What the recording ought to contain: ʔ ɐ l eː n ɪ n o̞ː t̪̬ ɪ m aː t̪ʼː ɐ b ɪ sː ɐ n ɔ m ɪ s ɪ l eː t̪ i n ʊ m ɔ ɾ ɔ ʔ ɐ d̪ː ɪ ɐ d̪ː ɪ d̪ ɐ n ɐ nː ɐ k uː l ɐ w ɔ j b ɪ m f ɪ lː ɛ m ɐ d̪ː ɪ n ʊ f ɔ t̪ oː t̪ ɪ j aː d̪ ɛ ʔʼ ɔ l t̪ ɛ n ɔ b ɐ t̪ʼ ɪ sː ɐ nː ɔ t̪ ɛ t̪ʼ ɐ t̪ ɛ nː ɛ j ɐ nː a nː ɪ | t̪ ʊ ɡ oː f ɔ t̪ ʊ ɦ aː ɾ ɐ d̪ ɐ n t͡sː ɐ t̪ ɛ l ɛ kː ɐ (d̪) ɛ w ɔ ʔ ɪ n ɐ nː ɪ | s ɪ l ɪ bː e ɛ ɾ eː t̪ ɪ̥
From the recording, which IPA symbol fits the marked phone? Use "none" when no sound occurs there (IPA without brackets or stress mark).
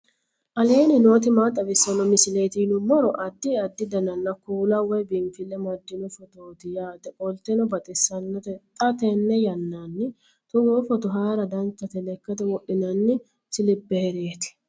t̪